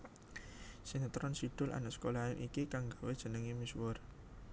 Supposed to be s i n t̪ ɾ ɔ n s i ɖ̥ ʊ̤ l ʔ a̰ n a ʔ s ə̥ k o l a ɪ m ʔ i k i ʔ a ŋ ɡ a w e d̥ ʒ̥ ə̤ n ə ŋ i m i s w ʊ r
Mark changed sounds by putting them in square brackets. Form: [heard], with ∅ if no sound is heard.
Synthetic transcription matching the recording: s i n t̪ ɾ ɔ n s i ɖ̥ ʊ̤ l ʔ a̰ n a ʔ s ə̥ k o l a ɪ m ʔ i k i [k] a ŋ ɡ a w e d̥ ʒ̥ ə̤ n ə ŋ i m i s w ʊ r